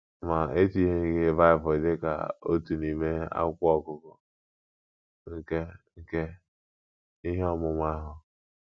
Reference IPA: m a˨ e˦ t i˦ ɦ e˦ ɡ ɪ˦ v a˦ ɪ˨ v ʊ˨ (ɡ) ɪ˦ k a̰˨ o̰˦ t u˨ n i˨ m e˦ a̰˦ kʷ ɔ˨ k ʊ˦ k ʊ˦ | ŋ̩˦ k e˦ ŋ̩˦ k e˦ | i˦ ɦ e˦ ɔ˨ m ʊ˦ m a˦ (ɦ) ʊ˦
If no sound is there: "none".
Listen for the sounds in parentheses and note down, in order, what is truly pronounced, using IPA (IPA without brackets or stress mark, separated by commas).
d, ɦ